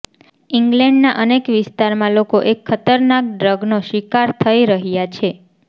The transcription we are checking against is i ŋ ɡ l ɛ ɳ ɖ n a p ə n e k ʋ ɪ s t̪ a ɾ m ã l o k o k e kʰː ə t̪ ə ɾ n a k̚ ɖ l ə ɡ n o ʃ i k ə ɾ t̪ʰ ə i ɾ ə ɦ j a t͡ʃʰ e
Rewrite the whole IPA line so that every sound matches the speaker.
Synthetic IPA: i ŋ ɡ l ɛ ɳ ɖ n a ʔ ə n e k ʋ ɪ s t̪ a ɾ m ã l o k o ʔ e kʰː ə t̪ ə ɾ n a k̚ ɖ ɾ ə ɡ n o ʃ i k a ɾ t̪ʰ ə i ɾ ə ɦ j a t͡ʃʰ e